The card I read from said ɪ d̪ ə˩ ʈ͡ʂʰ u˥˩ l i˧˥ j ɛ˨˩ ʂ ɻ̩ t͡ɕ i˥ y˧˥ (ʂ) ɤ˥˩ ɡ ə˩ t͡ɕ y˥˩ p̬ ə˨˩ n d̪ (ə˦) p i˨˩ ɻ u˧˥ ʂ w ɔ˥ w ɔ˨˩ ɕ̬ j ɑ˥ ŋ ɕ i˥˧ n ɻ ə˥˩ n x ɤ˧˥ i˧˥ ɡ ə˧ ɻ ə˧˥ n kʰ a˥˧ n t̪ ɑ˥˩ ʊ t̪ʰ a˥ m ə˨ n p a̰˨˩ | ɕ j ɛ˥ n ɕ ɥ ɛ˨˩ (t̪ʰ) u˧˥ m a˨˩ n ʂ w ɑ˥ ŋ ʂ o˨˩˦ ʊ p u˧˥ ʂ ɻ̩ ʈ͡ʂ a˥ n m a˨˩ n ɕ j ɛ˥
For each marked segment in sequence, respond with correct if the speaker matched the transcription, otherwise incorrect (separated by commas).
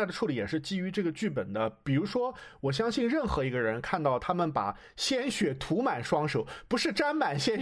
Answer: incorrect, correct, correct